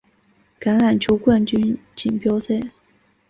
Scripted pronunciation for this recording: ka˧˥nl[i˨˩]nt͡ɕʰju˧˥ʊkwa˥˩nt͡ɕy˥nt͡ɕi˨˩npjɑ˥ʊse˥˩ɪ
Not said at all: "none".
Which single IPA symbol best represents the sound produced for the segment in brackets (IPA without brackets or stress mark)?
a˨˩